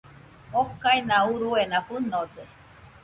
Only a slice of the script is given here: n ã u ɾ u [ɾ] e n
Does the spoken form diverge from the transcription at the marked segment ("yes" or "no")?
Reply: yes